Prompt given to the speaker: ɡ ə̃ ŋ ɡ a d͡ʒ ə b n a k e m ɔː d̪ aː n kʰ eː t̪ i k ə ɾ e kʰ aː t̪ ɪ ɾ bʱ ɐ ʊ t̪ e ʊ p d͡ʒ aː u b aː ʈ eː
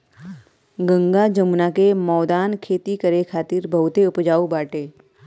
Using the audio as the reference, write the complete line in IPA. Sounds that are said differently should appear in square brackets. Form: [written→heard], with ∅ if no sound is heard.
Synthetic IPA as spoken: ɡ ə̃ ŋ ɡ a d͡ʒ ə [b→m] n a k e m ɔː d̪ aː n kʰ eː t̪ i k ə ɾ e kʰ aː t̪ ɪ ɾ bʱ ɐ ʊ t̪ e ʊ p d͡ʒ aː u b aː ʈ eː